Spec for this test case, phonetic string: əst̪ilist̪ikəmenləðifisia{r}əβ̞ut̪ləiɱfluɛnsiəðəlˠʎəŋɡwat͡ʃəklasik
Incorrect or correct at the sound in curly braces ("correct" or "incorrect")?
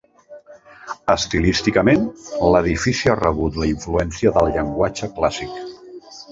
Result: correct